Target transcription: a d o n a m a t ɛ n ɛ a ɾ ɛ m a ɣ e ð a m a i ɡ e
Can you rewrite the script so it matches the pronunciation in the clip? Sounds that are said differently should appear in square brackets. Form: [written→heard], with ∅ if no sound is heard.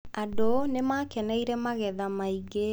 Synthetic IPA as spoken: a d o n [a→e] m a [t→k] ɛ n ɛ [a→i] ɾ ɛ m a ɣ [e→ɛ] ð a m a i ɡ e